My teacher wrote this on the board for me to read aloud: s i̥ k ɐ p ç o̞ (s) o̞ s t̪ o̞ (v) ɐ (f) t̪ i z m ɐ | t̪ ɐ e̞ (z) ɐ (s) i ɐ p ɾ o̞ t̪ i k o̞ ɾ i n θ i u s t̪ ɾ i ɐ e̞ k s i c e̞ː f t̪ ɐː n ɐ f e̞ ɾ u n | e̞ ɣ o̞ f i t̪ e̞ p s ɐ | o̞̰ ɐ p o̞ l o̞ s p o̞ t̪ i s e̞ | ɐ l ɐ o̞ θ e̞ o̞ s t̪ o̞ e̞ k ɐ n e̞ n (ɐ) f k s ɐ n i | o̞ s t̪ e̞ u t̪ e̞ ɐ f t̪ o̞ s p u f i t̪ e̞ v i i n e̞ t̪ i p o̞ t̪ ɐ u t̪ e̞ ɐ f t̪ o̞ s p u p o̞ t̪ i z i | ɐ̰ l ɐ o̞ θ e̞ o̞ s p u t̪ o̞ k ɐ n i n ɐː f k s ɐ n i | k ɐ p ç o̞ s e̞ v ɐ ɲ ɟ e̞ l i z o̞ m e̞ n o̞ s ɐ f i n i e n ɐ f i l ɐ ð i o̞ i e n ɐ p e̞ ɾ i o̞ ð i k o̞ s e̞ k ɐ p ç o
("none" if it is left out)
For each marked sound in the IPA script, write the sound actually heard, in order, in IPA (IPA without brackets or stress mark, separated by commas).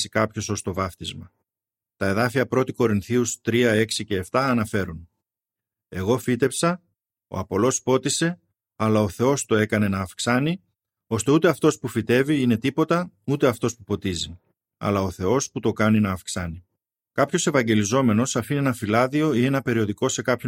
s, v, f, ð, f, ɐː